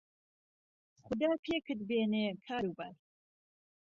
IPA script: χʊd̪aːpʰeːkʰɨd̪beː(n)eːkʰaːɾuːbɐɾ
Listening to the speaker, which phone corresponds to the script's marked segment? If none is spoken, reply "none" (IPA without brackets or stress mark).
n